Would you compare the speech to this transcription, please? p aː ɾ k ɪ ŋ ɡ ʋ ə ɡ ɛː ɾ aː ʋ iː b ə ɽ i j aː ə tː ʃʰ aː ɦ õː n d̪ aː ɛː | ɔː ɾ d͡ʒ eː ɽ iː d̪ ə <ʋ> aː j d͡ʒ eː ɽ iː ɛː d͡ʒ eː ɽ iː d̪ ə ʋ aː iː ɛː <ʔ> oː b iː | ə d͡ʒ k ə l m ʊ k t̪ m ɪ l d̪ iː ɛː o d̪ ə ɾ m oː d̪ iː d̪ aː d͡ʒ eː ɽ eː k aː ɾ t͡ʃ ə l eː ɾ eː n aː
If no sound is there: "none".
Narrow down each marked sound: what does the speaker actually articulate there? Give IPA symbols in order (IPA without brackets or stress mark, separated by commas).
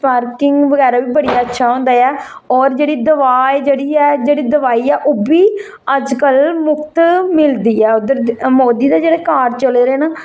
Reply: ʋ, ʔ